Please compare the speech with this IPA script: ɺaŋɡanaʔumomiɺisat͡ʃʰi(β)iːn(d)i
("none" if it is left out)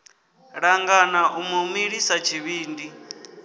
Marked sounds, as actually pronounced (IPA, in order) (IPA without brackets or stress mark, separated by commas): β, d